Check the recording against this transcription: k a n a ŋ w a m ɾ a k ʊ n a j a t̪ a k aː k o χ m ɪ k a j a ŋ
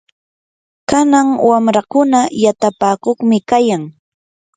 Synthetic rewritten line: k a n a ŋ w a m ɾ a k ʊ n a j a t̪ a p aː k o χ m ɪ k a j a ŋ